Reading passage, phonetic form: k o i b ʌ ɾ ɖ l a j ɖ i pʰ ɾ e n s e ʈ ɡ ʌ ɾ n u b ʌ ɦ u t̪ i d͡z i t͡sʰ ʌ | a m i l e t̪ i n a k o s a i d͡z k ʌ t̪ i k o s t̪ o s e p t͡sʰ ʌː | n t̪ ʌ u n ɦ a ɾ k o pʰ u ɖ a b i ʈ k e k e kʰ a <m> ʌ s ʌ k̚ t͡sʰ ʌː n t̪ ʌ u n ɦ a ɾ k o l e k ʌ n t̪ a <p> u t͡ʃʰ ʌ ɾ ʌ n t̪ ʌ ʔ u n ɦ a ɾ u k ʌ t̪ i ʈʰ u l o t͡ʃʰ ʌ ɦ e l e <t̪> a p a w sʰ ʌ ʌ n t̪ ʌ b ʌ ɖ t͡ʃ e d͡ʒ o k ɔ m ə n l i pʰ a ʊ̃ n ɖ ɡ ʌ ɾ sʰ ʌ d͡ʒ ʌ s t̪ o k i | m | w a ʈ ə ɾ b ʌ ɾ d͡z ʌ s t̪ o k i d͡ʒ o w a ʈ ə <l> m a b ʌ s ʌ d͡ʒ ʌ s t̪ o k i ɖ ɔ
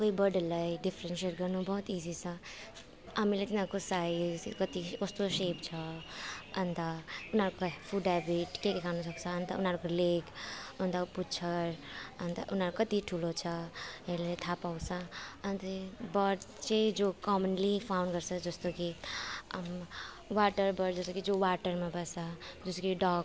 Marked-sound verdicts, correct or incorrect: incorrect: n, correct, incorrect: t̪ʰ, incorrect: ɾ

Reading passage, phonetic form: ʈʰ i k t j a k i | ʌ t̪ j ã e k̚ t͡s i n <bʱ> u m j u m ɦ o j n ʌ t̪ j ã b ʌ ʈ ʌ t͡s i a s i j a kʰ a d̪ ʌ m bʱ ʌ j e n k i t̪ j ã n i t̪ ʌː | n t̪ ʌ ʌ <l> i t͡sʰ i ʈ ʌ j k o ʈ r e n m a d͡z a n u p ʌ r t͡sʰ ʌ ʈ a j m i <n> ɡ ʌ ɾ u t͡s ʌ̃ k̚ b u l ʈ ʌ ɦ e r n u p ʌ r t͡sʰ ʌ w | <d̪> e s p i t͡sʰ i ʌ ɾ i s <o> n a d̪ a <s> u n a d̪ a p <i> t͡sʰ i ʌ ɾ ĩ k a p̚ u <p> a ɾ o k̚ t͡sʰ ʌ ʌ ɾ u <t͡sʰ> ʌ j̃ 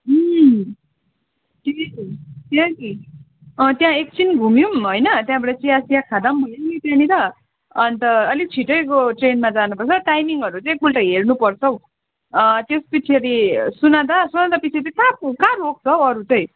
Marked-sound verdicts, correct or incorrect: incorrect: ɡʱ, correct, incorrect: ŋ, incorrect: t̪, incorrect: u, correct, correct, incorrect: k, incorrect: t͡s

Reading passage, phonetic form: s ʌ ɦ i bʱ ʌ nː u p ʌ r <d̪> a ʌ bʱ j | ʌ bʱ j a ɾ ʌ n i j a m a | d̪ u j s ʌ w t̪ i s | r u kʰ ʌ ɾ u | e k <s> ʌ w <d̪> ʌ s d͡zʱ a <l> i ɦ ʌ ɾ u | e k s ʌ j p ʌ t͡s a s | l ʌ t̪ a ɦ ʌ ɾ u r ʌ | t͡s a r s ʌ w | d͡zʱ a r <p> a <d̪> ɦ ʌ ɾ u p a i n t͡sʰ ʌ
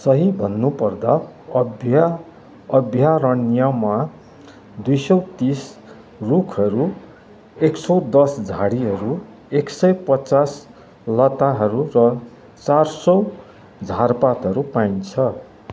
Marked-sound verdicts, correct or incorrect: correct, correct, correct, incorrect: ɽ, correct, incorrect: t̪

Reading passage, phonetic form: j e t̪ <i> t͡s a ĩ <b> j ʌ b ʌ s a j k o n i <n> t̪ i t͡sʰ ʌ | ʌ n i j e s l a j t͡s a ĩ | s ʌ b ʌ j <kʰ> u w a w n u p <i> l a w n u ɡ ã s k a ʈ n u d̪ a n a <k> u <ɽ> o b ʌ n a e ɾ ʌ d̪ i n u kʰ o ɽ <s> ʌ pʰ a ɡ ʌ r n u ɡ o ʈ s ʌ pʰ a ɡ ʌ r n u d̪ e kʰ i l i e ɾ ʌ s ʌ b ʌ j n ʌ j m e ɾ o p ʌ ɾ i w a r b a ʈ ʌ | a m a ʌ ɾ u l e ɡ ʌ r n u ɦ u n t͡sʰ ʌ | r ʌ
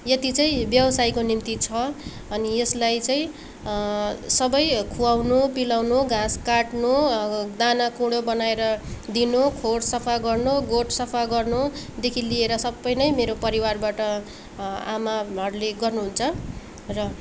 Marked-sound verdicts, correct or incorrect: correct, correct, incorrect: m, correct, correct, correct, correct, correct

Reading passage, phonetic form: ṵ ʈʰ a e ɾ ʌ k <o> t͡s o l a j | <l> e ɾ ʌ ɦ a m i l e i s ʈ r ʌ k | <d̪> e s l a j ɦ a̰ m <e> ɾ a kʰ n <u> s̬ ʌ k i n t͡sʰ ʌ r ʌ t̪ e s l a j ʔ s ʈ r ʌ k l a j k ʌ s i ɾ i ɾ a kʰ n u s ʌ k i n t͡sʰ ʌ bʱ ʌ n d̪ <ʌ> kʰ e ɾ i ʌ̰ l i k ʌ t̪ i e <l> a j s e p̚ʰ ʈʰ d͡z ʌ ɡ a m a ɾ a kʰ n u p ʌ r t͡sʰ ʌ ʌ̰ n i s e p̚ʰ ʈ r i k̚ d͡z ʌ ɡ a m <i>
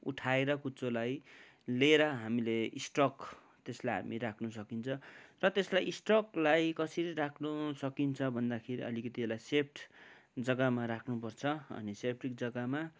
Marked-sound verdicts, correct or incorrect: incorrect: u, correct, incorrect: t̪, incorrect: i, correct, incorrect: a, correct, incorrect: a

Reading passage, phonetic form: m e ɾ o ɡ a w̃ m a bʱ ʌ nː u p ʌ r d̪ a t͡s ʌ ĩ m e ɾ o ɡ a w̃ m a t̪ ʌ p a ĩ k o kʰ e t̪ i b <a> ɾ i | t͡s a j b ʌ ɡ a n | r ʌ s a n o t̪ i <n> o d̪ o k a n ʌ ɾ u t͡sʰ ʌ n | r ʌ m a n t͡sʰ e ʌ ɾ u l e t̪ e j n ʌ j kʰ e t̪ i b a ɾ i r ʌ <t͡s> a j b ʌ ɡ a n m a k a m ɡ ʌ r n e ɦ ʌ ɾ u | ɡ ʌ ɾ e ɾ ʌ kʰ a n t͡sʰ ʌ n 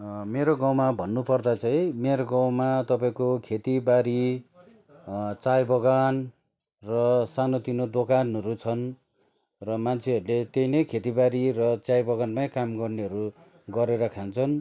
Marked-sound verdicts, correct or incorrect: correct, correct, correct

